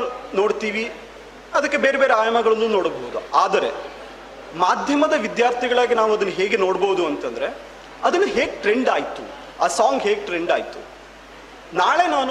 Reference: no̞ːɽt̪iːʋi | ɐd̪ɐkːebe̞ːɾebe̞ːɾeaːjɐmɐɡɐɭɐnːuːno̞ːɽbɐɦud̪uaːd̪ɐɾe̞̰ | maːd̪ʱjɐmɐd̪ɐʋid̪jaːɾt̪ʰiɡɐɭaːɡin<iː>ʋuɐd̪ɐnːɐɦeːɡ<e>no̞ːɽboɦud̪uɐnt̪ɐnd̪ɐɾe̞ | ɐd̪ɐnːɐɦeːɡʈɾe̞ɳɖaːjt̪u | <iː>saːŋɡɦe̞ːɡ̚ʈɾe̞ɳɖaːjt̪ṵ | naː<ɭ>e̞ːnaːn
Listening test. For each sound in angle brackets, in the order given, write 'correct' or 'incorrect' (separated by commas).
incorrect, correct, incorrect, correct